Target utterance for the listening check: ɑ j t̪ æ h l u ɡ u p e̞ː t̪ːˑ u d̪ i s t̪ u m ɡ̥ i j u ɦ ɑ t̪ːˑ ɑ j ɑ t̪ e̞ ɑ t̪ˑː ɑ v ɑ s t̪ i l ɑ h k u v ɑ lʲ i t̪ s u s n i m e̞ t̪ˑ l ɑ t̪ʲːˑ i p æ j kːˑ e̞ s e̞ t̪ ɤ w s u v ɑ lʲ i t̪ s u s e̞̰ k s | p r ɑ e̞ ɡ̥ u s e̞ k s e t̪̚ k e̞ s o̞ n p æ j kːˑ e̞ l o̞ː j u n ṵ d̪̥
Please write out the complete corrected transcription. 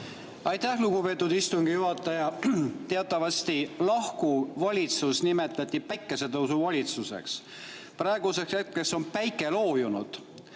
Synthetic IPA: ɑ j t̪ æ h l u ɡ u p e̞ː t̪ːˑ u d̪ i s t̪ u ŋ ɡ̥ i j u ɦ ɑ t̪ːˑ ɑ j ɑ t̪ e̞ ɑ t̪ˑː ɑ v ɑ s t̪ i l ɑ h k u v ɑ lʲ i t̪ s u s n i m e̞ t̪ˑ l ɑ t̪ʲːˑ i p æ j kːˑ e̞ s e̞ t̪ ɤ w s u v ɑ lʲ i t̪ s u s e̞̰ k s | p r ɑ e̞ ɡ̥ u s e̞ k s e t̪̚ k e̞ s o̞ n p æ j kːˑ e̞ l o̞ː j u n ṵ d̪̥